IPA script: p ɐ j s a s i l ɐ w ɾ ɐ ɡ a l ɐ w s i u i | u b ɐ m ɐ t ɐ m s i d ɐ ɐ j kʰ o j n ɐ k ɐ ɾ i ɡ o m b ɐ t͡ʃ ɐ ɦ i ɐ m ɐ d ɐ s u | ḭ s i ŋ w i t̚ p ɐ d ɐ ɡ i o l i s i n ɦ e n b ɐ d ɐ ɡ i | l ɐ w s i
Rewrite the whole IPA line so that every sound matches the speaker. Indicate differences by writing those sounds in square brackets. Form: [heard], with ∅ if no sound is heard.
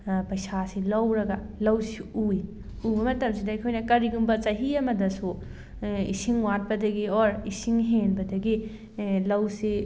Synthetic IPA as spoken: p ɐ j s a s i l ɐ w ɾ ɐ ɡ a l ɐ w s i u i | u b ɐ m ɐ t ɐ m s i d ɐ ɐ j kʰ o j n ɐ k ɐ ɾ i ɡ [u] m b ɐ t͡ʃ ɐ ɦ i ɐ m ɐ d ɐ s u | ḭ s i ŋ w [a] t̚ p ɐ d ɐ ɡ i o [ɾ] i s i [ŋ] ɦ e n b ɐ d ɐ ɡ i | l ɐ w s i